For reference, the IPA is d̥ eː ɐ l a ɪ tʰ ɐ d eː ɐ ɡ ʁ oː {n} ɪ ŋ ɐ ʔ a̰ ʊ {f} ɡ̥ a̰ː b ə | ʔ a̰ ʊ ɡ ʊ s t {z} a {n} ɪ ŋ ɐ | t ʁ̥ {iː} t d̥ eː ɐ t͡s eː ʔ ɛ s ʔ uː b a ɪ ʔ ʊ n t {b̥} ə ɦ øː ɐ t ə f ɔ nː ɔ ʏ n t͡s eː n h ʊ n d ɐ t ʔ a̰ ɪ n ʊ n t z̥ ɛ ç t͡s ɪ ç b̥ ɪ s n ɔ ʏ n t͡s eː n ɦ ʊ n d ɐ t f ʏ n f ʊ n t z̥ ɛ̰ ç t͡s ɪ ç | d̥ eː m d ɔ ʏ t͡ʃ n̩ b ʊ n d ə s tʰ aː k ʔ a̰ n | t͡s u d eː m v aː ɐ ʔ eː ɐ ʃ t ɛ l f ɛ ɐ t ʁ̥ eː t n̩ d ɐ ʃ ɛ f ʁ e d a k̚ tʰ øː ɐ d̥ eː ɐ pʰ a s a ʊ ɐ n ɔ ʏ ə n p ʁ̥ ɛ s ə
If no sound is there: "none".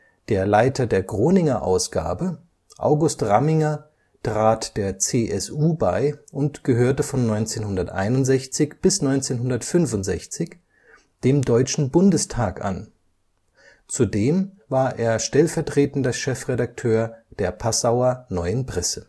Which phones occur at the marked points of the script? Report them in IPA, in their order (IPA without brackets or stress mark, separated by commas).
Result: n, s, ʁ, m, aː, ɡ̥